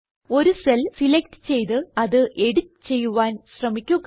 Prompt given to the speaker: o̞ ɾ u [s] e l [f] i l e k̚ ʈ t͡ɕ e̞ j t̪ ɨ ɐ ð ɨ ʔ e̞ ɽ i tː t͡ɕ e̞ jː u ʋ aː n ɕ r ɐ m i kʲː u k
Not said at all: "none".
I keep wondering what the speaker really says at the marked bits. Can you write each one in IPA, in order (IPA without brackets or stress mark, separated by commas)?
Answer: s, s